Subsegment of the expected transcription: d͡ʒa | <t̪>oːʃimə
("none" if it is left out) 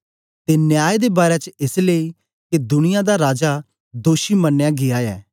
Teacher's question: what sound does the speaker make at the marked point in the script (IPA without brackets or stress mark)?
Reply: d̪